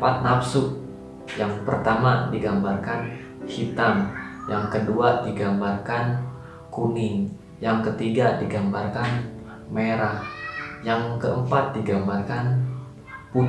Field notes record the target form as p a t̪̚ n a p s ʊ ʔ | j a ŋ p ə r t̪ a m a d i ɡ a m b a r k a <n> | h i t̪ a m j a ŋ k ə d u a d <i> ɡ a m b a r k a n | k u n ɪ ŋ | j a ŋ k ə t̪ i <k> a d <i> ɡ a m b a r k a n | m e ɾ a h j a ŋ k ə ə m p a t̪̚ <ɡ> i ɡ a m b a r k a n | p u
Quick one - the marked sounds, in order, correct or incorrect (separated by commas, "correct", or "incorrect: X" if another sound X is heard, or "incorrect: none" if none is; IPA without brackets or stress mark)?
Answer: correct, correct, incorrect: ɡ, correct, incorrect: d